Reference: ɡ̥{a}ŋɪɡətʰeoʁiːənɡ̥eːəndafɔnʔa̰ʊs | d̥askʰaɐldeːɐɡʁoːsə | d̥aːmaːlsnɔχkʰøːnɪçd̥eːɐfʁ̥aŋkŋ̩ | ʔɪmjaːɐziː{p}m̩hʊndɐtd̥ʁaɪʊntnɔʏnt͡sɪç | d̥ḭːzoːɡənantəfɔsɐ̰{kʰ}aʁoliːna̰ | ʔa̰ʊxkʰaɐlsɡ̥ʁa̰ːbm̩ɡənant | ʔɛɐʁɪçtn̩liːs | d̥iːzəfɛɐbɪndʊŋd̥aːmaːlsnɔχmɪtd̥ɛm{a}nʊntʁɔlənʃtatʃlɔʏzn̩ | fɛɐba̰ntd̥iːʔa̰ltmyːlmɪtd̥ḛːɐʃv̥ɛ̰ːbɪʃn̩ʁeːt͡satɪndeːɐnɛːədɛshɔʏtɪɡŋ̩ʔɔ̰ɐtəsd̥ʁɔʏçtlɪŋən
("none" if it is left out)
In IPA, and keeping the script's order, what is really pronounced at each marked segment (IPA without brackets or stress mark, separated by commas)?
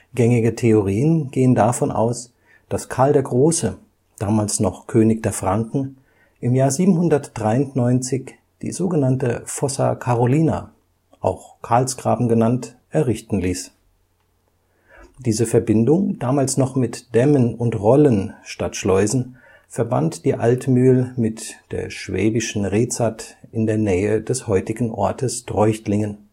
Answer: ɛ, b, kʰ, ə